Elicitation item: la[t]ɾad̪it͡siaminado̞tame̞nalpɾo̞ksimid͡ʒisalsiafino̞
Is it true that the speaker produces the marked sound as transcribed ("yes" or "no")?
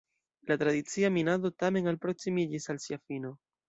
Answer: yes